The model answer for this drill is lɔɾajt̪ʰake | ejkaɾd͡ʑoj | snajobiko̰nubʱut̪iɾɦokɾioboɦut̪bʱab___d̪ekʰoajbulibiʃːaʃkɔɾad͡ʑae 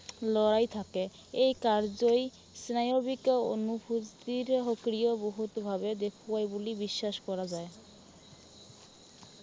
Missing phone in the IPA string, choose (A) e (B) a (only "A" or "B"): A